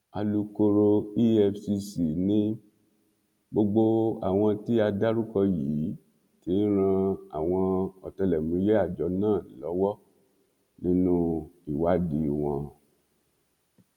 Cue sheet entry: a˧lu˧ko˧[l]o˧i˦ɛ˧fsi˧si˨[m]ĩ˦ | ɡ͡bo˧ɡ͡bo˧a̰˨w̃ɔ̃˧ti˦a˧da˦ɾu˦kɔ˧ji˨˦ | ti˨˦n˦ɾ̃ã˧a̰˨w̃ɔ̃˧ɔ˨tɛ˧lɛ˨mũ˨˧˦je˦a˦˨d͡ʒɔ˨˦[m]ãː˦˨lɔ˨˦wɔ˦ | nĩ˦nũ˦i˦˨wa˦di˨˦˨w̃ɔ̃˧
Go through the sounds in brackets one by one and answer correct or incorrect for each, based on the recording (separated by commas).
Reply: incorrect, incorrect, incorrect